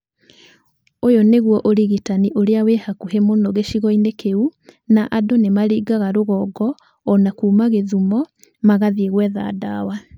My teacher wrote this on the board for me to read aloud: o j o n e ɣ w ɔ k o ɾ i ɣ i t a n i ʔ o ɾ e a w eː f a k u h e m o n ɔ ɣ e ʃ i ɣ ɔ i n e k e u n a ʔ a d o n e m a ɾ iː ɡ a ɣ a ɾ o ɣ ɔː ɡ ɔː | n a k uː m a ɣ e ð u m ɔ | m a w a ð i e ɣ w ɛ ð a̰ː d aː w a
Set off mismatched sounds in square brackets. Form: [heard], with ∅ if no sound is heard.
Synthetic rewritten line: o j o n e ɣ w ɔ [ʔ] o ɾ i ɣ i t a n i ʔ o ɾ e a w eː [h] a k u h e m o n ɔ ɣ e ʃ i ɣ ɔ i n e k e u n a ʔ a d o n e m a ɾ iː ɡ a ɣ a ɾ o ɣ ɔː ɡ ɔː | n a k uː m a ɣ e ð u m ɔ | m a [ɣ] a ð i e ɣ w ɛ ð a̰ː d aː w a